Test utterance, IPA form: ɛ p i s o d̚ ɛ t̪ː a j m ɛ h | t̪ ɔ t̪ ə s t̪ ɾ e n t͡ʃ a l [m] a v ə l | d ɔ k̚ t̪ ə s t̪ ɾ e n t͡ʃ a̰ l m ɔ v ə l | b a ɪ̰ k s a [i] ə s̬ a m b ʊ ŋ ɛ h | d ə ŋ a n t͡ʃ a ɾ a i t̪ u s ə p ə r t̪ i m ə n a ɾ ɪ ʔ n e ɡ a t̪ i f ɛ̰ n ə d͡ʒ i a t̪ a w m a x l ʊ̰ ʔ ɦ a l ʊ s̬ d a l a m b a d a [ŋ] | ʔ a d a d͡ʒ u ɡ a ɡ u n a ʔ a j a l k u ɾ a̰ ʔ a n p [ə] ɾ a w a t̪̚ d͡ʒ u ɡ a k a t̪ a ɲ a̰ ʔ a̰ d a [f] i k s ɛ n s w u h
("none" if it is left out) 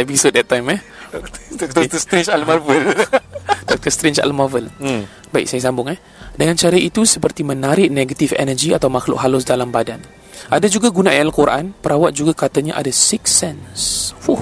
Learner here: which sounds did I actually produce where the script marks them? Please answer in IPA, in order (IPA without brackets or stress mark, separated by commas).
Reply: m, j, n, ə, s